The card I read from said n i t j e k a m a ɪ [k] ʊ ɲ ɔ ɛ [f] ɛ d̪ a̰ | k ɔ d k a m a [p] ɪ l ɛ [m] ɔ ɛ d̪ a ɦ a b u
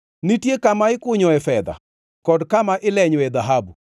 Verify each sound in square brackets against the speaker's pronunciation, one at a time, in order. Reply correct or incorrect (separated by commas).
correct, correct, incorrect, incorrect